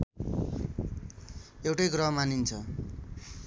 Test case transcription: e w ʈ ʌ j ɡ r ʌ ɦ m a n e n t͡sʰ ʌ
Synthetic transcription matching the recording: e w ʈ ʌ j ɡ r ʌ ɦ m a n i n t͡sʰ ʌ